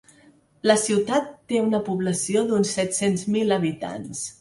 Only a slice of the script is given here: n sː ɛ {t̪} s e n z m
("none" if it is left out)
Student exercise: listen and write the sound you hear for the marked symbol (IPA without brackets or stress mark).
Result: t̪